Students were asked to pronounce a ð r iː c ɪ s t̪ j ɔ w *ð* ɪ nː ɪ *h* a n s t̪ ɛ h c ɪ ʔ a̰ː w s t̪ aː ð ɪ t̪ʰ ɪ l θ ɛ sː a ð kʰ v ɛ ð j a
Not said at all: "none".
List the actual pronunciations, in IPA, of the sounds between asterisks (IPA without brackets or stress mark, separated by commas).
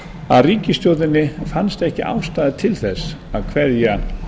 ð, f